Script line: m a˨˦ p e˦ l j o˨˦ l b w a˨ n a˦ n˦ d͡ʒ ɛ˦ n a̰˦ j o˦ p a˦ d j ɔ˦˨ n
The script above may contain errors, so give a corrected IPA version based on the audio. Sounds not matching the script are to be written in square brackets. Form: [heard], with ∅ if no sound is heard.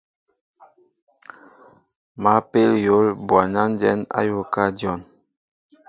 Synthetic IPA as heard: m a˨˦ p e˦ l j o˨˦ l b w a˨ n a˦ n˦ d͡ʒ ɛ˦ n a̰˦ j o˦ [k] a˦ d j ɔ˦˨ n